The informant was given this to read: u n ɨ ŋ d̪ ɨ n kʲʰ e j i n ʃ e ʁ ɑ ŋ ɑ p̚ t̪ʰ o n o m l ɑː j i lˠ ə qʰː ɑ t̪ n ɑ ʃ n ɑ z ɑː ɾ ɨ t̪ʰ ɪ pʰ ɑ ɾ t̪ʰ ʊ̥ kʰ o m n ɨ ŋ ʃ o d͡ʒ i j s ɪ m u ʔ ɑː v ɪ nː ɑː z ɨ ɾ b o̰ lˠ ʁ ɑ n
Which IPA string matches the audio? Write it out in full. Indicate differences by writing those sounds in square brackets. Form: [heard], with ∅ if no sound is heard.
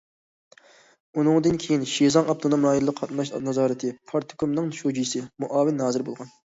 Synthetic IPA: u n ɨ ŋ d̪ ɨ n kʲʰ e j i n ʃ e [z] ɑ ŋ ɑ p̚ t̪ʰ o n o m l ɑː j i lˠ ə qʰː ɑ t̪ n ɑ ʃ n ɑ z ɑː ɾ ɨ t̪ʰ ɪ pʰ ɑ ɾ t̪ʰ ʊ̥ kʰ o m n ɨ ŋ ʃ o d͡ʒ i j s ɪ m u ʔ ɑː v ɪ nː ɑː z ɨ ɾ b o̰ lˠ ʁ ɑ n